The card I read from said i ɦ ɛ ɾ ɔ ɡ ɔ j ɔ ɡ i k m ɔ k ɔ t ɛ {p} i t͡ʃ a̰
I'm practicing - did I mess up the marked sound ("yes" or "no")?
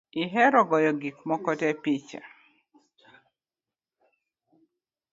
no